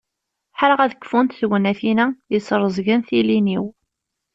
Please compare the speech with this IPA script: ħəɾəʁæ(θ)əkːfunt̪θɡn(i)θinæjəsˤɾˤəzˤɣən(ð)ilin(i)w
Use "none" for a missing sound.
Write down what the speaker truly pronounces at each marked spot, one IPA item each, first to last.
ð, æ, θ, i

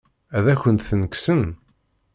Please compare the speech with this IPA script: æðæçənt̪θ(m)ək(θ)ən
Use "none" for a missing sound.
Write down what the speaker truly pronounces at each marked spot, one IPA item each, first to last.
n, s

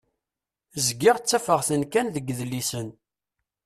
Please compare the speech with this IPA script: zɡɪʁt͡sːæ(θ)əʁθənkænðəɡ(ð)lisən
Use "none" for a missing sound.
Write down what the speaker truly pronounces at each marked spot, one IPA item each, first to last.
f, ð

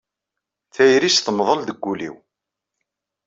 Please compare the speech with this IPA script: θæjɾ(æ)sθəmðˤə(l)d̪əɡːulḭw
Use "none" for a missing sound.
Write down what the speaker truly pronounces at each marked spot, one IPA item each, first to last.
i, l

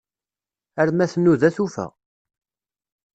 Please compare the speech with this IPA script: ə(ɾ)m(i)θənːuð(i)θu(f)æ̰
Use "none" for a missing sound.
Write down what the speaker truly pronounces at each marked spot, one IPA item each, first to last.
ɾ, æ, æ, f

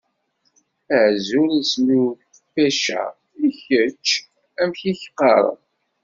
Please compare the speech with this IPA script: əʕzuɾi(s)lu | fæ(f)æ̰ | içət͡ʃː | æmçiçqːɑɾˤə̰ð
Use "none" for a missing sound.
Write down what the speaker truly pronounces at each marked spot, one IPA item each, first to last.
s, ʃ

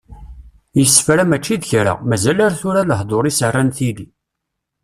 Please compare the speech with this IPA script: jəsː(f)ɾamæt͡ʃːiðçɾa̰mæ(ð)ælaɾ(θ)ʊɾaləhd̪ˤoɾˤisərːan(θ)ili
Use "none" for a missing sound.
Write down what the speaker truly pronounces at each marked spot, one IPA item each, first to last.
f, z, θ, θ

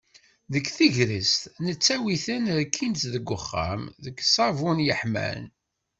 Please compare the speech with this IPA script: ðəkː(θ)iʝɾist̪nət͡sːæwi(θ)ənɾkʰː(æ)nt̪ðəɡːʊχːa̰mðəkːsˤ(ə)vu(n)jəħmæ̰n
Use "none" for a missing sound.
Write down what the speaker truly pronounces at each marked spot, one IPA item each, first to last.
θ, θ, i, ɑ, n

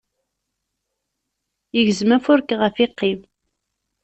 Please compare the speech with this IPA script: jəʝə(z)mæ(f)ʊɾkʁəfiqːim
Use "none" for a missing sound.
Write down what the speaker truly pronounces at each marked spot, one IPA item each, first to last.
z, f

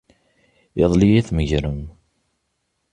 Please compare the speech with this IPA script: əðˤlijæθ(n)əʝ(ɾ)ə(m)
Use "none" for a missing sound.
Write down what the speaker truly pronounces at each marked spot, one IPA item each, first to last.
m, ɾ, m

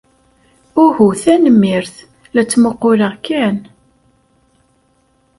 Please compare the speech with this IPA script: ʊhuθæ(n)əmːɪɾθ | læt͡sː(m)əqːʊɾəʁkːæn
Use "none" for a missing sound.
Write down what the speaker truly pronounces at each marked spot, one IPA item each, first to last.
n, m

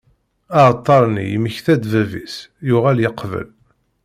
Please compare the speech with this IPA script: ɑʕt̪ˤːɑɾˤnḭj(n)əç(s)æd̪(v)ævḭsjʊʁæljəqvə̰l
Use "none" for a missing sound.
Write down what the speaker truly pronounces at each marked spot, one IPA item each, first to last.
m, θ, v

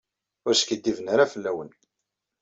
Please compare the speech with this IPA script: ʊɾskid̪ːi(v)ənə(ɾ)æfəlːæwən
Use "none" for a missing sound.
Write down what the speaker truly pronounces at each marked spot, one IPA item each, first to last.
v, ɾ

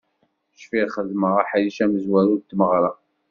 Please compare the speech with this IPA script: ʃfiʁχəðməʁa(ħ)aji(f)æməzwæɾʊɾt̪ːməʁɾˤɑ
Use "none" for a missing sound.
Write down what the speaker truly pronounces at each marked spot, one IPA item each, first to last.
ħ, ʃ

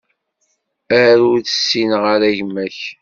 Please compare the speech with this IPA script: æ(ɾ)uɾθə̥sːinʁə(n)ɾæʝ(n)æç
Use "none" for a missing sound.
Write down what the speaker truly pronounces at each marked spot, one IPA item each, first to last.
ɾ, none, m

